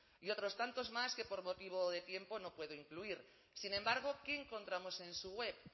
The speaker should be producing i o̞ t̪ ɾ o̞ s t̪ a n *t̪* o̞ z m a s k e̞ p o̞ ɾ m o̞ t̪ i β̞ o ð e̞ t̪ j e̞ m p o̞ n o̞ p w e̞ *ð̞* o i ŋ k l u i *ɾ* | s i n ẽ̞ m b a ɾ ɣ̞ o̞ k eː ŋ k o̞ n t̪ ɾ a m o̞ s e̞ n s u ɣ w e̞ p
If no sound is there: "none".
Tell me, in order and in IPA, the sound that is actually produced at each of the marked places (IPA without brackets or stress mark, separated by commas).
t̪, ð̞, ɾ